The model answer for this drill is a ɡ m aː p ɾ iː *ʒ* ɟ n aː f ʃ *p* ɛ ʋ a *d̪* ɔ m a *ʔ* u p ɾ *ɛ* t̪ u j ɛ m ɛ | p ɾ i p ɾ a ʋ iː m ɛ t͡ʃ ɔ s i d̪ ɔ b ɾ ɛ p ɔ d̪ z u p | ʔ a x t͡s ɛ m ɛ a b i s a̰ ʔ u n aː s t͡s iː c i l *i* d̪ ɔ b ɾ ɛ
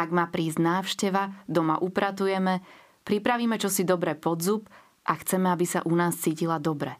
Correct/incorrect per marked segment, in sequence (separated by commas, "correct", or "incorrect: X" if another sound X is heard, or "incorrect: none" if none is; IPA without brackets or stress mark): incorrect: z, incorrect: c, correct, correct, incorrect: a, incorrect: a